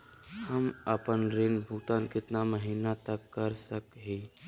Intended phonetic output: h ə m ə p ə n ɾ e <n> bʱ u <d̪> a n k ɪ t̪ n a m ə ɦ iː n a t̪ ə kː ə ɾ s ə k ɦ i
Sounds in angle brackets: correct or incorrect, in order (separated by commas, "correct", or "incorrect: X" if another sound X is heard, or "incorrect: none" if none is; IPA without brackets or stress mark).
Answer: correct, incorrect: t̪